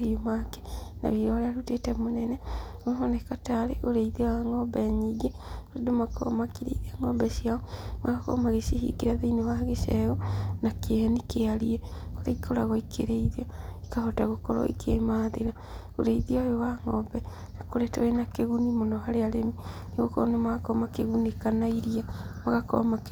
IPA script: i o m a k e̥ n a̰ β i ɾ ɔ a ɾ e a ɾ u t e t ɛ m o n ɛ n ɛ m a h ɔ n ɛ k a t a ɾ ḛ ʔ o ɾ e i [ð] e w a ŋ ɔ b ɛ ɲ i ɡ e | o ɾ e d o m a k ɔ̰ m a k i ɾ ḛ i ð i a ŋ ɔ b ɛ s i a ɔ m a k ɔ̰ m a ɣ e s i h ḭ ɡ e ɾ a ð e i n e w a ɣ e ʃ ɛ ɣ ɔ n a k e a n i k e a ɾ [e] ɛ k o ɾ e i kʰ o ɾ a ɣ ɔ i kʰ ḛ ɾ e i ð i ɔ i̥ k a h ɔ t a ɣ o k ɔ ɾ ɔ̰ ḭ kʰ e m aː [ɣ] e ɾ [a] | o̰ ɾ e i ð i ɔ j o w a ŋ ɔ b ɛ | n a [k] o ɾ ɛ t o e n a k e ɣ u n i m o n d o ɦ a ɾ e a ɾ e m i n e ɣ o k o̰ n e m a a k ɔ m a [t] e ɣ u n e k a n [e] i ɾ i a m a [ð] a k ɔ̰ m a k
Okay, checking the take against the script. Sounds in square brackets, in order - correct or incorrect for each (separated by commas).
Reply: correct, incorrect, incorrect, correct, correct, incorrect, incorrect, incorrect